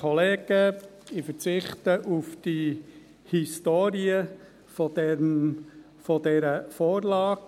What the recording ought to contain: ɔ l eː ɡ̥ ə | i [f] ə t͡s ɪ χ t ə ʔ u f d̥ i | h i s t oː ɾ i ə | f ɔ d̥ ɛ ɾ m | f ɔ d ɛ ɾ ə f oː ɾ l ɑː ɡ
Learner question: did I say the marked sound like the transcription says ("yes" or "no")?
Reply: yes